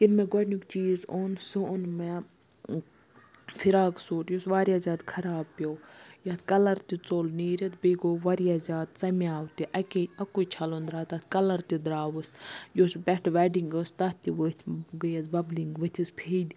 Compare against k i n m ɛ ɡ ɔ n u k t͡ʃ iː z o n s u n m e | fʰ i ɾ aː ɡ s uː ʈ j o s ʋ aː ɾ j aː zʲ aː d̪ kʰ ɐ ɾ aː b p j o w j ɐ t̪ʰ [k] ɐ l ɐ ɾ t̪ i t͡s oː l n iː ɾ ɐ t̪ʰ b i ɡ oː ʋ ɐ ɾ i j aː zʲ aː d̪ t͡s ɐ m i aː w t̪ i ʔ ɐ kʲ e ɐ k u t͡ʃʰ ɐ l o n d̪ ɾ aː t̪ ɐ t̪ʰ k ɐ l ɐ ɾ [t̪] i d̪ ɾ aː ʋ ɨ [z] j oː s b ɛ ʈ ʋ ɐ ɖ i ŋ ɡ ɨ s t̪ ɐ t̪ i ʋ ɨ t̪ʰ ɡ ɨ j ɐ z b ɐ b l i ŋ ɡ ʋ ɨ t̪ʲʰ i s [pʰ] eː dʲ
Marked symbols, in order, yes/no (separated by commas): yes, yes, no, yes